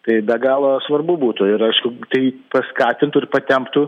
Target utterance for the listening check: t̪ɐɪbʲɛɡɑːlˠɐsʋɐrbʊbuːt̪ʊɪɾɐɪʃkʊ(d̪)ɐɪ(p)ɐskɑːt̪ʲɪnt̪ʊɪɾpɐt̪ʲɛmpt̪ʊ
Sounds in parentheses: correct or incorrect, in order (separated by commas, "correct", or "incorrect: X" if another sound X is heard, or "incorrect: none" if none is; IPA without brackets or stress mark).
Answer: incorrect: t̪, correct